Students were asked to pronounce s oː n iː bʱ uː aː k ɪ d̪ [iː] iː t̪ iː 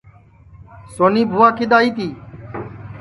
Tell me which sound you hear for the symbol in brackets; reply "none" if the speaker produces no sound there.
aː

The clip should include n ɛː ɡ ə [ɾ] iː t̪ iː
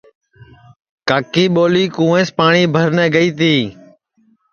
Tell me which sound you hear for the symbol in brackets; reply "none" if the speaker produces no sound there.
none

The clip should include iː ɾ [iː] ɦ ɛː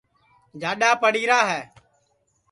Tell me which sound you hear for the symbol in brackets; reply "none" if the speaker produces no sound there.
aː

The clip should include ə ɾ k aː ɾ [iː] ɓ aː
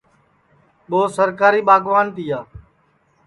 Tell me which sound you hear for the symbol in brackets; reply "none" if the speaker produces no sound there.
iː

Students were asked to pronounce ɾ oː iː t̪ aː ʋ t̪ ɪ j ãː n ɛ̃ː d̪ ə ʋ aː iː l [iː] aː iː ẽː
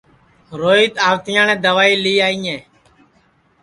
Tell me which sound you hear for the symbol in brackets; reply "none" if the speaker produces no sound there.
iː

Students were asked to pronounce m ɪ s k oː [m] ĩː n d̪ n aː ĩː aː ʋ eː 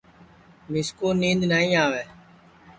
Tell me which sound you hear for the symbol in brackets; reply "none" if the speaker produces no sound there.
n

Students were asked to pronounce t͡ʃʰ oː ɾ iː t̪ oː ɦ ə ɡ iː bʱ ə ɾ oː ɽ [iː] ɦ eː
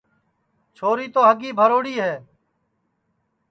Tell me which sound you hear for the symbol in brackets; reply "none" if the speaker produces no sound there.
iː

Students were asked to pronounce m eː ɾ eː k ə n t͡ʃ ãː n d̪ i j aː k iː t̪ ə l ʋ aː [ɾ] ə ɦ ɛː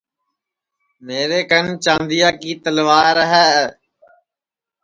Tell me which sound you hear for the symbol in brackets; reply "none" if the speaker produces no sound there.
ɾ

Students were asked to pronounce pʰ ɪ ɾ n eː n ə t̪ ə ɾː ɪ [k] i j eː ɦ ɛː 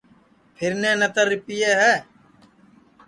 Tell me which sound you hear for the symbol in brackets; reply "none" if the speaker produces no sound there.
p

